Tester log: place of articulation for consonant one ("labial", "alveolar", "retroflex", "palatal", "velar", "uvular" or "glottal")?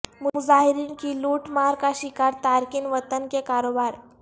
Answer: labial